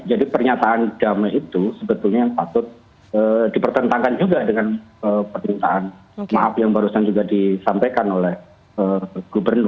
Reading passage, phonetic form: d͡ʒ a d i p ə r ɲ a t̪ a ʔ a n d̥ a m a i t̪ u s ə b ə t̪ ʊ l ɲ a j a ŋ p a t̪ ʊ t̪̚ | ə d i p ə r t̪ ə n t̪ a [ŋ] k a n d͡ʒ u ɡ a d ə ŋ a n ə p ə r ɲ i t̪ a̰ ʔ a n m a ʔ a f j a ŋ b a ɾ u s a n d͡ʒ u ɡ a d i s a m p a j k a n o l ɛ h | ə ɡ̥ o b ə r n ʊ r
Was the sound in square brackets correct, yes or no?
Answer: yes